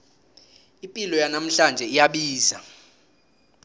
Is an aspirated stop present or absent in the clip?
absent